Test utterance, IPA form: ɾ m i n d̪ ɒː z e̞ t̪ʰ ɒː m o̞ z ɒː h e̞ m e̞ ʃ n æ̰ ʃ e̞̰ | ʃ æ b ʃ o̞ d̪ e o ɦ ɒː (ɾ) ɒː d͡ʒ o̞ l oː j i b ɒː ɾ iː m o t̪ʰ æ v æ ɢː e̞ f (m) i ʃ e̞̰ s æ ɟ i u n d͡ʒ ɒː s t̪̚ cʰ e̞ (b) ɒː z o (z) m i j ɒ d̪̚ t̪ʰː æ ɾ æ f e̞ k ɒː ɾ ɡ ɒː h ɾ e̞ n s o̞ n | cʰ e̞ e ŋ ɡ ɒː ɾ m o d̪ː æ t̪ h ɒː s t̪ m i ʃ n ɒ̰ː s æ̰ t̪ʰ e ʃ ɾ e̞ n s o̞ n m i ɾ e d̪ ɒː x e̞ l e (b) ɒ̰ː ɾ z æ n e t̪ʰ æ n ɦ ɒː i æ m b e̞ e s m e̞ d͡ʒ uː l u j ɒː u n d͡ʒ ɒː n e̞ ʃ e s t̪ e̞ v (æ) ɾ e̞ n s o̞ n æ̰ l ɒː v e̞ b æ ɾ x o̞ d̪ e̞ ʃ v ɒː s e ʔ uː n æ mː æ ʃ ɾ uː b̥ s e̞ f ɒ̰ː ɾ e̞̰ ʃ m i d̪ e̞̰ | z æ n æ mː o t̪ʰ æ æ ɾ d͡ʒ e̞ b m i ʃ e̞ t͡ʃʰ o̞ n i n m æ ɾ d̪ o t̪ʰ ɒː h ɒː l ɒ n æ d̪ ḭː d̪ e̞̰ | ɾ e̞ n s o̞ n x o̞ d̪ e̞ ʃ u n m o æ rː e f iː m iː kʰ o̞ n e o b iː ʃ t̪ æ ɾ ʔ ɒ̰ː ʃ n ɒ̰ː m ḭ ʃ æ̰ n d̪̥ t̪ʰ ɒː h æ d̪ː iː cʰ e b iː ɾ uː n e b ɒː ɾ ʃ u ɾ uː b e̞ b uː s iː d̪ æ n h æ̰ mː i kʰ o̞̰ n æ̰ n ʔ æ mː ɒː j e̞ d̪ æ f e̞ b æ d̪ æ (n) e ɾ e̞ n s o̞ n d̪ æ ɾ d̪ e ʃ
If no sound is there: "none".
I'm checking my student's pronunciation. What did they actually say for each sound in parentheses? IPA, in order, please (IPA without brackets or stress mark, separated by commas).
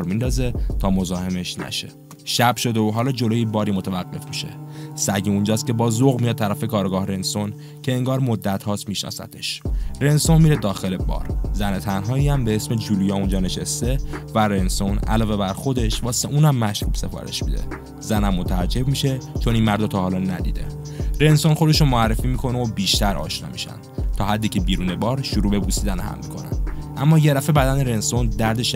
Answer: l, m, b, ɣ, b, æ, n